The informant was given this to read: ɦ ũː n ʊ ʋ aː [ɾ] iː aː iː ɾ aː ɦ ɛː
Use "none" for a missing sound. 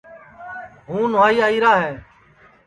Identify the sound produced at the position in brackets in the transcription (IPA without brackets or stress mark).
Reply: none